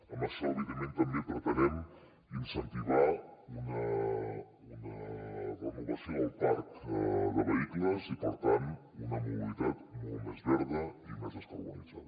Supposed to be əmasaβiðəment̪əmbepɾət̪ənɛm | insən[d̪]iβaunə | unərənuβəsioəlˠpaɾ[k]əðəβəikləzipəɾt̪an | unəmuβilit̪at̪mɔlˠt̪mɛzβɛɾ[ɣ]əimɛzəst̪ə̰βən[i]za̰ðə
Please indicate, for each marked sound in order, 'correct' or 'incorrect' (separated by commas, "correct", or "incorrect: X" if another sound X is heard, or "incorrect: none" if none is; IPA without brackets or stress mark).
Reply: incorrect: t̪, correct, incorrect: ð, correct